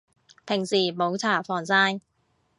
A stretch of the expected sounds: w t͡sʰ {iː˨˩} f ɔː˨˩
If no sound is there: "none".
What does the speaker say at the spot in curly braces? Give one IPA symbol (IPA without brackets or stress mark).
aː˨˩